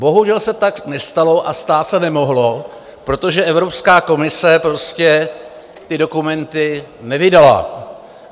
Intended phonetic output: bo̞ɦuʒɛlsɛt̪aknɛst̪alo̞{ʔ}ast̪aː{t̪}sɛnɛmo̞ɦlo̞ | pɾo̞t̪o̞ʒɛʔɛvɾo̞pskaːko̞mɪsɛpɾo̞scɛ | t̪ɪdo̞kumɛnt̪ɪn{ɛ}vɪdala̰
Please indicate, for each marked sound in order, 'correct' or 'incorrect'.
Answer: correct, correct, correct

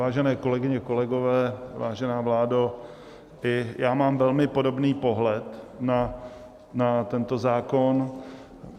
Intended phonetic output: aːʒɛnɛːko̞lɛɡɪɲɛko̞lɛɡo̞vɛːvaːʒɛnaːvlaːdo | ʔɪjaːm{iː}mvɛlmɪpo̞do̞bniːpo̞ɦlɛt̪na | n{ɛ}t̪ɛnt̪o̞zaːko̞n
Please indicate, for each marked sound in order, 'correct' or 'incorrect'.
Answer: incorrect: aː, incorrect: a

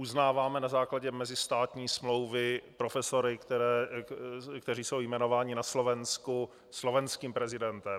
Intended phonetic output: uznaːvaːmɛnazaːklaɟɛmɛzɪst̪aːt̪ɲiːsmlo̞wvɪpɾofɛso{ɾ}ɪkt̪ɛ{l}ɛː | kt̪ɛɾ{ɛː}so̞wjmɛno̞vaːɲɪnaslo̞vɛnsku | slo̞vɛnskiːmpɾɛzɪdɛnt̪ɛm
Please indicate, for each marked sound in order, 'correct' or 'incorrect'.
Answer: correct, incorrect: ɾ, incorrect: iː

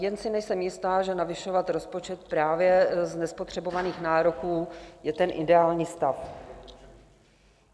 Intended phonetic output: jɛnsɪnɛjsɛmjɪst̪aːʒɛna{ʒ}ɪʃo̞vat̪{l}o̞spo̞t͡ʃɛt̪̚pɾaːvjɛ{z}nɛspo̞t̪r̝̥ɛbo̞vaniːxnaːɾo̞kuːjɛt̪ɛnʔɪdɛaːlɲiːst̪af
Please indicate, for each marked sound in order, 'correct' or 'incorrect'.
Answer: incorrect: v, incorrect: ɾ, correct

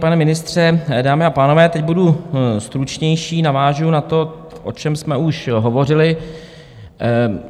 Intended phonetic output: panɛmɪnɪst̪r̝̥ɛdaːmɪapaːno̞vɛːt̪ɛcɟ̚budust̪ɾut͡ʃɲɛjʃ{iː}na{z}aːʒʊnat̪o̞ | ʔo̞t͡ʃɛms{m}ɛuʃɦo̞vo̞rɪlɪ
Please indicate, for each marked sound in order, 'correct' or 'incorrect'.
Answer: correct, incorrect: v, correct

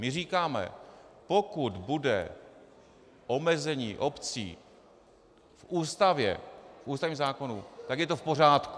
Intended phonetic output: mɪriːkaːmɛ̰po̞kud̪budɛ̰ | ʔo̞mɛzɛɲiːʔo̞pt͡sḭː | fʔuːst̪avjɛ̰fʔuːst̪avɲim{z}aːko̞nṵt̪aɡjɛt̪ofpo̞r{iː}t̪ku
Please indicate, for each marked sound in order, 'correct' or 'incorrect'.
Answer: correct, incorrect: aː

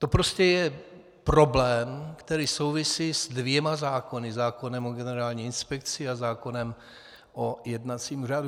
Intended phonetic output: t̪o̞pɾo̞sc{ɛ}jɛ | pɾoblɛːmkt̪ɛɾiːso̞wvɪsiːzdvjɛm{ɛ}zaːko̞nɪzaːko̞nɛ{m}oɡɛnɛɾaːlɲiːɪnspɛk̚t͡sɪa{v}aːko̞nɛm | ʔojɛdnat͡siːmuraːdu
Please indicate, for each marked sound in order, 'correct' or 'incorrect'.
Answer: correct, incorrect: a, correct, incorrect: z

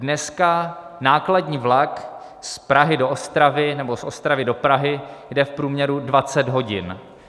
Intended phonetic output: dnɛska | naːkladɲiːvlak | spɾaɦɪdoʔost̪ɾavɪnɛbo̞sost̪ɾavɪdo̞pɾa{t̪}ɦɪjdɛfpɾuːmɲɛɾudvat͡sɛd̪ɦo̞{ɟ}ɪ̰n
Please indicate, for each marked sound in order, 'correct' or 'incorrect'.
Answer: incorrect: none, correct

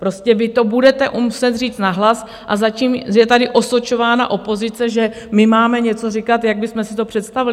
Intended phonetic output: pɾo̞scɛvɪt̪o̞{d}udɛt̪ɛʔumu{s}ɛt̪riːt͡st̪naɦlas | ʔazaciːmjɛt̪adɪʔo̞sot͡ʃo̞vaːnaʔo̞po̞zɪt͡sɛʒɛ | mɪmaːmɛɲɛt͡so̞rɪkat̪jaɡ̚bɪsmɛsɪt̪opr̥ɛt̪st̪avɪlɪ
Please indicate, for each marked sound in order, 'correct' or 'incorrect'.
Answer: incorrect: b, correct

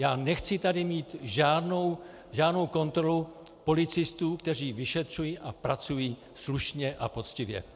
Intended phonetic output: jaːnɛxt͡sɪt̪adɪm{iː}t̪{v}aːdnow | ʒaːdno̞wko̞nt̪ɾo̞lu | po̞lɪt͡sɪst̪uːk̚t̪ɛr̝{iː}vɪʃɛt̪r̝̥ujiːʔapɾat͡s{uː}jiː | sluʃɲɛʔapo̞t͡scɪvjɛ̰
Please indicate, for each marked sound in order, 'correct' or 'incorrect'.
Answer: correct, incorrect: ʒ, correct, incorrect: u

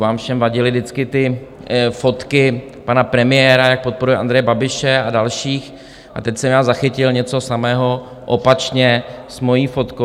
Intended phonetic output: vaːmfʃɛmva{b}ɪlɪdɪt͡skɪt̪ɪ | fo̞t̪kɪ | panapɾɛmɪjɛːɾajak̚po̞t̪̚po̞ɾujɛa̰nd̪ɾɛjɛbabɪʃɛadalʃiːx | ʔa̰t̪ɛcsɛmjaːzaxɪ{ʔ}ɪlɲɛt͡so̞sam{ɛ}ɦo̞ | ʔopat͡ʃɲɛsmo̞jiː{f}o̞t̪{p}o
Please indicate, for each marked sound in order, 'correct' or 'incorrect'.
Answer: incorrect: ɟ, incorrect: c, incorrect: ɛː, correct, incorrect: k

